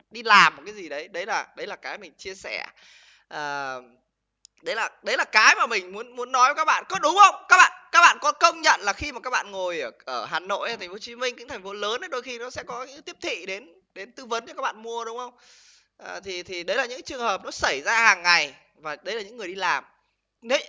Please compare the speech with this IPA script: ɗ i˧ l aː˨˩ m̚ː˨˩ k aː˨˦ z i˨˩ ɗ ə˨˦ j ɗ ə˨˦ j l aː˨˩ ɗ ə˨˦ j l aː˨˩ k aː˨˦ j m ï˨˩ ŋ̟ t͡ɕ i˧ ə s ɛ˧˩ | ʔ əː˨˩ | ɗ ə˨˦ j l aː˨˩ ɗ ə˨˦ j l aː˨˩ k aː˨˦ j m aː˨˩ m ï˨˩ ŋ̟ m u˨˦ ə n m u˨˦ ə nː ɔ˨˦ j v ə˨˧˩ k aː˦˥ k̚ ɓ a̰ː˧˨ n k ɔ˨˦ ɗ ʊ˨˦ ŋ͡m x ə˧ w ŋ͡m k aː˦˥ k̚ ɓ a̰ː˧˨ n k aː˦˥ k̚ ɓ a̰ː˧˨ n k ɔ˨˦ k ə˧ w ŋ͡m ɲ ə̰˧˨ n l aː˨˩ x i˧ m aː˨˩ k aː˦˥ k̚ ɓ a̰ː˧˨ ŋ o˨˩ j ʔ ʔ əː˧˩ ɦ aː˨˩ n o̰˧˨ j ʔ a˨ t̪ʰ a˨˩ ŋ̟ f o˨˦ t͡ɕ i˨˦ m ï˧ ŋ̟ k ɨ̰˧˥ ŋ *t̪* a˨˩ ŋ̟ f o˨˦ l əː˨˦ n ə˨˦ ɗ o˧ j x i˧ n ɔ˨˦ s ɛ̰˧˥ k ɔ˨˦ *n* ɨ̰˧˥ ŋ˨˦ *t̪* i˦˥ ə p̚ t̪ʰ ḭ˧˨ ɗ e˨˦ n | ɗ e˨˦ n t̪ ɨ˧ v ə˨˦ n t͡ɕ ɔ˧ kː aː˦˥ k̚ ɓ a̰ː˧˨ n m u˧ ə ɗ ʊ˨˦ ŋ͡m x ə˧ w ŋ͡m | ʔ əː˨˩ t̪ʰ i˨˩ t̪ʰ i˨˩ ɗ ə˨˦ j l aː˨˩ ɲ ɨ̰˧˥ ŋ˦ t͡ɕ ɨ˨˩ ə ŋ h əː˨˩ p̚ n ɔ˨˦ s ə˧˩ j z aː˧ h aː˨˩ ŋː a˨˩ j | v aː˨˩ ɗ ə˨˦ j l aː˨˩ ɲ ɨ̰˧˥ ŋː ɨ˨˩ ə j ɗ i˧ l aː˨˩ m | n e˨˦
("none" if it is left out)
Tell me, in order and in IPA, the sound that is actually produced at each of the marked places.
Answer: t̪ʰ, ɲ, t̪

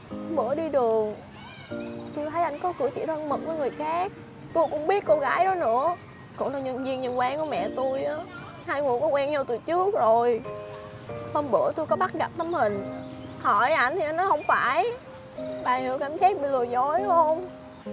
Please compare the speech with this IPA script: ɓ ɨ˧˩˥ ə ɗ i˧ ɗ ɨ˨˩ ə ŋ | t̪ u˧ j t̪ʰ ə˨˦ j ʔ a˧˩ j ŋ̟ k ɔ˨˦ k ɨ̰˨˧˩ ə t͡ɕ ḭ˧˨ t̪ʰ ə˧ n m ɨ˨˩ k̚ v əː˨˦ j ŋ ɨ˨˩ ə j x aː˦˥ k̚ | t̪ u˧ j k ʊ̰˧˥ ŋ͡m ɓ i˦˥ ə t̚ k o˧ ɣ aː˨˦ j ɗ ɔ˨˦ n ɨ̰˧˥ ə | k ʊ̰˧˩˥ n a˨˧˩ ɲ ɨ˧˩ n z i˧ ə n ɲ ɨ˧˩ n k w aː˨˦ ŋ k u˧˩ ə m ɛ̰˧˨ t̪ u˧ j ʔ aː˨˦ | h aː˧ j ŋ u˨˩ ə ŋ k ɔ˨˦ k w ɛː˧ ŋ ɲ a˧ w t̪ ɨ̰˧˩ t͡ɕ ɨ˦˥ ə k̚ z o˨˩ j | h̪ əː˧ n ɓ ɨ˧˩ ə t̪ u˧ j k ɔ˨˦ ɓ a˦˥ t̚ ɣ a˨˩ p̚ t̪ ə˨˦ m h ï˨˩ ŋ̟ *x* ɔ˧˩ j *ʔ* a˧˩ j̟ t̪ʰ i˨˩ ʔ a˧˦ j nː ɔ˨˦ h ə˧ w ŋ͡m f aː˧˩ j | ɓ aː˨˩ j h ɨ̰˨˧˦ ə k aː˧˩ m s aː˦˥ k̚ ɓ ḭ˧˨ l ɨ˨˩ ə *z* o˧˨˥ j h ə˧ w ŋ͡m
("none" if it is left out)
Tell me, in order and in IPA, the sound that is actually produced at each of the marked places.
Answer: h, ʔ, z

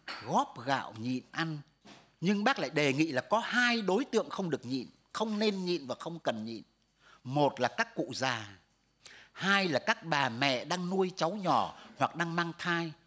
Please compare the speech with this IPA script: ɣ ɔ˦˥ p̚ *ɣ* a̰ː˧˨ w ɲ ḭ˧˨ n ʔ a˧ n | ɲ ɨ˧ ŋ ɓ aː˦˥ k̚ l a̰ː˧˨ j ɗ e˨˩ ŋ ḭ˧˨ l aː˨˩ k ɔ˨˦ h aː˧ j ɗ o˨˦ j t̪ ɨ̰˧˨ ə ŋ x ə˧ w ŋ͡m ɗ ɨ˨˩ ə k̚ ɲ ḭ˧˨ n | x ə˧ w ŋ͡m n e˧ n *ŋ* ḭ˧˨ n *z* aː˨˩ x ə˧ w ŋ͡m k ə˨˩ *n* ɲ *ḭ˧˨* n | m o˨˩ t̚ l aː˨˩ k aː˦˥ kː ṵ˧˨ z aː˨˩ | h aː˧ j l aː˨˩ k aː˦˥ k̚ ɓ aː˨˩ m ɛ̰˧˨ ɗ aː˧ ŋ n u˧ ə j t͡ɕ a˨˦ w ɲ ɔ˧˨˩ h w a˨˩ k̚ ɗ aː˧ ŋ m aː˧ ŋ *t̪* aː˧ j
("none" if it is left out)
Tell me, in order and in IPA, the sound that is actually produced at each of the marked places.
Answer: ɣ, ɲ, v, n, ḭ˧˨, t̪ʰ

